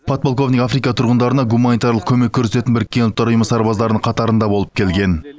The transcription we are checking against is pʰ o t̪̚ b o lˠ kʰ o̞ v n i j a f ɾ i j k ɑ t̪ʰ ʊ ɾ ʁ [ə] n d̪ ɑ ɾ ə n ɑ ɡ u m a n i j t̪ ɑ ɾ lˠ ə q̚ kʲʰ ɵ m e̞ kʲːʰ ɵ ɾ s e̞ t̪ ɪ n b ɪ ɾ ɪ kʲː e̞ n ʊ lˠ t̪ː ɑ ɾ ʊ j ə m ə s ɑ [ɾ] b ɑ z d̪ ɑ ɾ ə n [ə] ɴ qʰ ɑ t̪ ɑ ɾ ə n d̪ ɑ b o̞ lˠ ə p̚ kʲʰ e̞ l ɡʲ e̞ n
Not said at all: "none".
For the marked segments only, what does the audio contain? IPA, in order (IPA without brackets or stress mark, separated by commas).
ə, ɾ, ə